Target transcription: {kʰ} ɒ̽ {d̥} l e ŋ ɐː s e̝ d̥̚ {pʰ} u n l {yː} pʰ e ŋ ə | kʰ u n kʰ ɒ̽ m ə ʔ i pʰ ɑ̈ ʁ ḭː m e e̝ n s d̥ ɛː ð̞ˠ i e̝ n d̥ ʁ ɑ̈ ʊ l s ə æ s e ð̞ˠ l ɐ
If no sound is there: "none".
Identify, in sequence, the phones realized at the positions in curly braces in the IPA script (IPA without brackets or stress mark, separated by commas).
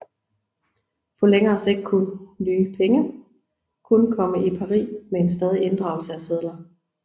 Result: pʰ, none, kʰ, yː